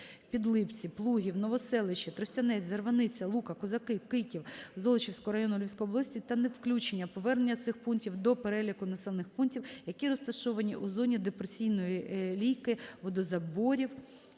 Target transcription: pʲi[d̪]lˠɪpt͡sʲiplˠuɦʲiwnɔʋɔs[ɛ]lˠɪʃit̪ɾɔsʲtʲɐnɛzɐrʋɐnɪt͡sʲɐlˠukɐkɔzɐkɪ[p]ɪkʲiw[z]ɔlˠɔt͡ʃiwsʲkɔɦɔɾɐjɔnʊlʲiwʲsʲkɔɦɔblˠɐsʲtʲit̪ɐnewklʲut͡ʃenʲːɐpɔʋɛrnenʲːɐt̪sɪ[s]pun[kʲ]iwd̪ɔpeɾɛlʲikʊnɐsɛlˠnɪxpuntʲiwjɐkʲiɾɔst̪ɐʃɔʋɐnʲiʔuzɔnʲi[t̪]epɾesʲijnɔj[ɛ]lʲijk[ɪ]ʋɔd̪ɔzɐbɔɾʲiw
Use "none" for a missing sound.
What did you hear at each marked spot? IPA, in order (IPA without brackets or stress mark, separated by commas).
d̪, ɛ, k, z, x, tʲ, d̪, i, ɪ